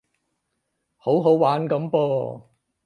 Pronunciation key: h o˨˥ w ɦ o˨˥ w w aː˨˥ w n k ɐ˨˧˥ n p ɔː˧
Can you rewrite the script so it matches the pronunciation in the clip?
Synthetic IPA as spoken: h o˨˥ w ɦ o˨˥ w w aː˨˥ n k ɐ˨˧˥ m p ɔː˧